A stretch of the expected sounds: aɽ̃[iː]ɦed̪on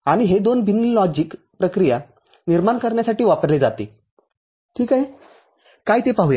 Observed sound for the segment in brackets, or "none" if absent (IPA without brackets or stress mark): i